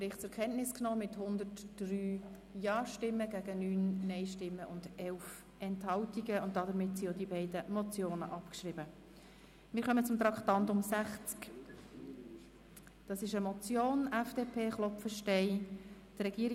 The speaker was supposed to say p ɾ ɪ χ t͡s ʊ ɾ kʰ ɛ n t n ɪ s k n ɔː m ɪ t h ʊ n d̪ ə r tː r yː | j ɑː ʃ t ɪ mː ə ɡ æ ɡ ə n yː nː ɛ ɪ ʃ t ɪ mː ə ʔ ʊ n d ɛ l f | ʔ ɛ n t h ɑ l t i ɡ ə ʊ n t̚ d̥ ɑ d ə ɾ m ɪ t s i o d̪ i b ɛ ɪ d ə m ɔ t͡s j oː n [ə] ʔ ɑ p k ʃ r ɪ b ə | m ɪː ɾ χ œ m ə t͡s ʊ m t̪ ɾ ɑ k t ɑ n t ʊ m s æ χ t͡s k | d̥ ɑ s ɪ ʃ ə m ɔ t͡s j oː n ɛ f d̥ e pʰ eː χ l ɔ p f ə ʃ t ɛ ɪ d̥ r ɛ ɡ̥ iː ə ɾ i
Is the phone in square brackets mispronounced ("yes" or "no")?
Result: no